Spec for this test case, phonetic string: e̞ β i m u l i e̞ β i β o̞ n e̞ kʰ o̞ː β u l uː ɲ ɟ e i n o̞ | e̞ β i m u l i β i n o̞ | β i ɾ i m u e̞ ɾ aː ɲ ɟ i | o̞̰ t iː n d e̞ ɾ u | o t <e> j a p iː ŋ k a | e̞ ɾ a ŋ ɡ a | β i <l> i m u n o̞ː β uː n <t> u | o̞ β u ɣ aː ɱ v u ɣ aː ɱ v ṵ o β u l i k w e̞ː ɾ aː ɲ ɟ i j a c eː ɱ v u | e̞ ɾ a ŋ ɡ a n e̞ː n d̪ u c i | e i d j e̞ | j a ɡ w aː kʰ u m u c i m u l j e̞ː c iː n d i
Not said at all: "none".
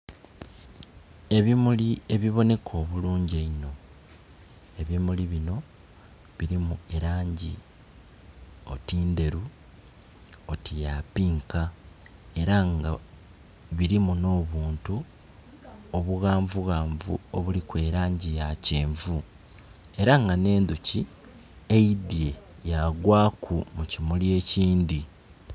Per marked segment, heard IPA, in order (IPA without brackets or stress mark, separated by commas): i, ɾ, t